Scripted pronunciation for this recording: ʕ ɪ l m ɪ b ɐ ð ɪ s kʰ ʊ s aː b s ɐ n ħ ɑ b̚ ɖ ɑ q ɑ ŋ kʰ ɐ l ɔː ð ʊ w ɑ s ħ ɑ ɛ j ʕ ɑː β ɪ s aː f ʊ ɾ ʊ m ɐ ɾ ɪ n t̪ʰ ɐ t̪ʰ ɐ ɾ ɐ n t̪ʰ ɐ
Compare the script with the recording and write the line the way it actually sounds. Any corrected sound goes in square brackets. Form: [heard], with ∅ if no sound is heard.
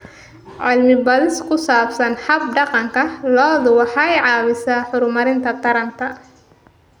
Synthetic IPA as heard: ʕ ɪ l m ɪ b ɐ ð ɪ s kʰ ʊ s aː b s ɐ n ħ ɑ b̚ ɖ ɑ q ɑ ŋ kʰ ɐ l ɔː ð ʊ w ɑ [∅] ħ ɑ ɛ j ʕ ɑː β ɪ s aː [ħ] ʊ ɾ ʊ m ɐ ɾ ɪ n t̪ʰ ɐ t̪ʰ ɐ ɾ ɐ n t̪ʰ ɐ